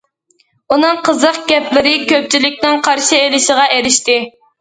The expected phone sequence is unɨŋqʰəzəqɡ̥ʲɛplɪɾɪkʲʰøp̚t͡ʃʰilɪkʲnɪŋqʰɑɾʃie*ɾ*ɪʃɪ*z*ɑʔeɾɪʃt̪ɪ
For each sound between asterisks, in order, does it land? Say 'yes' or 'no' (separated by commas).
no, no